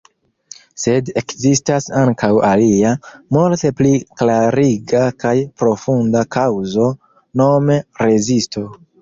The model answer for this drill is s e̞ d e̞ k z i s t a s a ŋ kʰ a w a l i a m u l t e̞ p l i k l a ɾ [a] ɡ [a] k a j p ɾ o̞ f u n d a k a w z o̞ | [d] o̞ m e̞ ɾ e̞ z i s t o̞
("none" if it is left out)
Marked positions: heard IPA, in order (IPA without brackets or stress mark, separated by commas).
i, a, n